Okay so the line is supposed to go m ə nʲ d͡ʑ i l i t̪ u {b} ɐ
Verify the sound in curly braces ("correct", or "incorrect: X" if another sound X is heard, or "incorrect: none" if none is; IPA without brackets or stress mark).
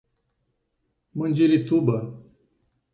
correct